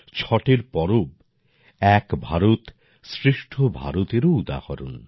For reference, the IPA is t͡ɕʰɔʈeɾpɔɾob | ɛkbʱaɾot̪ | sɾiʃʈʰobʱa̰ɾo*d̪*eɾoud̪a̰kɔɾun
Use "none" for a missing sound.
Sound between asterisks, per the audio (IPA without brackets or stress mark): t̪